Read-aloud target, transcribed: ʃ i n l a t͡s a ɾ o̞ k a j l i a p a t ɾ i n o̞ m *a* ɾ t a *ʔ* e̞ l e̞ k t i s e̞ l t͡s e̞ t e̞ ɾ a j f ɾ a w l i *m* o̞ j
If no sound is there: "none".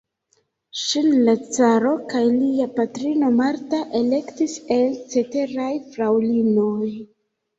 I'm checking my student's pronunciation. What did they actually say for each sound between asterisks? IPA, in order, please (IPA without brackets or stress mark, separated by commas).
a, ʔ, n